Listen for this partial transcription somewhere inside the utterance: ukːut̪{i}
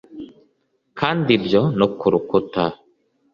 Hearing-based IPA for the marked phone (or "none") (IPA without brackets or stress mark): a